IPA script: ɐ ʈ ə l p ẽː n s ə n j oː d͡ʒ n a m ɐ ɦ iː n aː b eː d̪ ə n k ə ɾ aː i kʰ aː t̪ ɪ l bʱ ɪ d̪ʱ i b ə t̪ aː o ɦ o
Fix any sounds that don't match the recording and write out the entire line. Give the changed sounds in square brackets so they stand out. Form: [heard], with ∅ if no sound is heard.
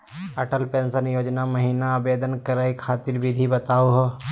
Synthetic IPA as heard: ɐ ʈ ə l p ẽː n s ə n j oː d͡ʒ n a m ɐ ɦ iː n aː b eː d̪ ə n k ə ɾ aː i kʰ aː t̪ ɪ [ɾ] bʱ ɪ d̪ʱ i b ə t̪ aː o ɦ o